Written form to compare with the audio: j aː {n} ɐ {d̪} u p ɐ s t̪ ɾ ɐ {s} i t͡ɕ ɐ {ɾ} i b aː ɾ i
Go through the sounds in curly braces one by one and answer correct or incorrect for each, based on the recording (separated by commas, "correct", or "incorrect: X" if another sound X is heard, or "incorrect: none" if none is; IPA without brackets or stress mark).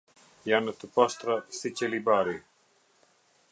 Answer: correct, incorrect: t̪, correct, incorrect: l